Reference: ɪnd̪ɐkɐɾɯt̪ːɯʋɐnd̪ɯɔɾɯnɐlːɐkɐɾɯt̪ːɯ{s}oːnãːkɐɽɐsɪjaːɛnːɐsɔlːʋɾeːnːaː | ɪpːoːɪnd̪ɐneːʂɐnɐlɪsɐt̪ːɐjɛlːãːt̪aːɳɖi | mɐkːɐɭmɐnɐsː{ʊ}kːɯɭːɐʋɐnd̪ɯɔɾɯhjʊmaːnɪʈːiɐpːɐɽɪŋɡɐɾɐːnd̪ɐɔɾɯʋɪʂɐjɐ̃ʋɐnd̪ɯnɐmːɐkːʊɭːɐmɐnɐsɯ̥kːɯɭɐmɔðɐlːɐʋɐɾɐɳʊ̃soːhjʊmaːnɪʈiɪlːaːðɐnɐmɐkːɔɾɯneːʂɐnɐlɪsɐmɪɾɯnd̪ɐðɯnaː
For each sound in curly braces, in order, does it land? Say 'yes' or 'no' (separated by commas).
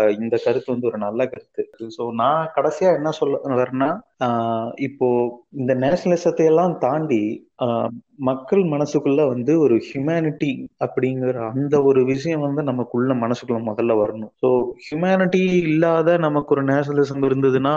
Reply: yes, no